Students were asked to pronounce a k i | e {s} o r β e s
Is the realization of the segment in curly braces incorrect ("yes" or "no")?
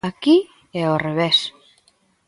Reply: yes